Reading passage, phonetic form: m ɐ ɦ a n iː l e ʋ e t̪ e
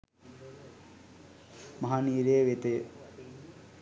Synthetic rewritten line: m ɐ ɦ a n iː ɾ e ʋ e t̪ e